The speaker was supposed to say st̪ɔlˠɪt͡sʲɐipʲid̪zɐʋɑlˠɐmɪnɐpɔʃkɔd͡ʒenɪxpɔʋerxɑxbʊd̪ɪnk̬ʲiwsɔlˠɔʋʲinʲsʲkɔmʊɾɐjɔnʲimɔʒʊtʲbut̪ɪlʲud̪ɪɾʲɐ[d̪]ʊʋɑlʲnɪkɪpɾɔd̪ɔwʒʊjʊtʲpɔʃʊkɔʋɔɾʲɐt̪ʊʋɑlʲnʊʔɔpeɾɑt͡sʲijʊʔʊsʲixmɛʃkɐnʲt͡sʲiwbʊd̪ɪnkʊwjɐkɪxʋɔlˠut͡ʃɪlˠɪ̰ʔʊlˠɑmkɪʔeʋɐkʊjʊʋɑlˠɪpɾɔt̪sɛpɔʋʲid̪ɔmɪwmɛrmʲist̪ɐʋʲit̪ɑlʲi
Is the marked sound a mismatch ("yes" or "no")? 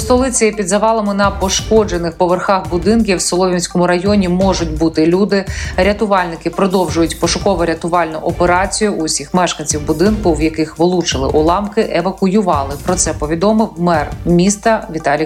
yes